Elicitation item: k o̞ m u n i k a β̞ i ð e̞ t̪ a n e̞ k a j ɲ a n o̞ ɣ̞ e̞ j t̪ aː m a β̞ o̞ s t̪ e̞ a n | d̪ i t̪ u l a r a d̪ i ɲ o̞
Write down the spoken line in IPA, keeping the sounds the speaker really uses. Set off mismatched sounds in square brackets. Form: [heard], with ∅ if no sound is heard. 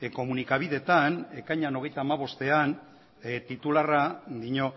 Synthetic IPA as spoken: k o̞ m u n i k a β̞ i ð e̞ t̪ a n e̞ k a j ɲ a n o̞ ɣ̞ e̞ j t̪ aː m a β̞ o̞ s t̪ e̞ a n | [t̪] i t̪ u l a r a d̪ i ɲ o̞

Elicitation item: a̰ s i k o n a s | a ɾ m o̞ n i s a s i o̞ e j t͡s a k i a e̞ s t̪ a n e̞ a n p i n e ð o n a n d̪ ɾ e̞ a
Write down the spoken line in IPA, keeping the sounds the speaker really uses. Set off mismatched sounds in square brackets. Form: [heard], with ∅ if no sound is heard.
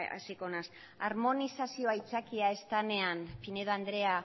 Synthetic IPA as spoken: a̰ s i k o n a s | a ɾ m o̞ n i s a s i o̞ [a] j t͡s a k i a e̞ s t̪ a n e̞ a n p i n e ð o [∅] a n d̪ ɾ e̞ a

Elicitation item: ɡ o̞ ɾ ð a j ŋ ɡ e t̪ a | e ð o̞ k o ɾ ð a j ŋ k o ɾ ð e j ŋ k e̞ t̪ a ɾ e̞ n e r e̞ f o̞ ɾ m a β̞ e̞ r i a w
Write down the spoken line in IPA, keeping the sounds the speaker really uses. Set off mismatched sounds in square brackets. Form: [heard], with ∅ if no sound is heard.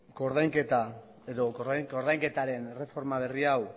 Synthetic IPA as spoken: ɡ o̞ ɾ ð a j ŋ [k] e t̪ a | e ð o̞ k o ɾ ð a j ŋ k o ɾ ð [a] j ŋ k e̞ t̪ a ɾ e̞ n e r e̞ f o̞ ɾ m a β̞ e̞ r i a w

